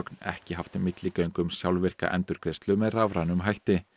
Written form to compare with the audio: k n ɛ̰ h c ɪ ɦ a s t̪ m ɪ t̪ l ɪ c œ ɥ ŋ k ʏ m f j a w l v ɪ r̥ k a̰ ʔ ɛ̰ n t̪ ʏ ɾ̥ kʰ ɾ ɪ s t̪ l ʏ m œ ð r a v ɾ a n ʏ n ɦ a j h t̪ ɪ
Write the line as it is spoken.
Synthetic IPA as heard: k n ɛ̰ h c ɪ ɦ a f t̪ m ɪ t̪ l ɪ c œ ɥ ŋ k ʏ m s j a w l v ɪ r̥ k a̰ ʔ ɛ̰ n t̪ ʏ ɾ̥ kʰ ɾ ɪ s t̪ l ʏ m ɛ ð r a v ɾ a n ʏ m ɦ a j h t̪ ɪ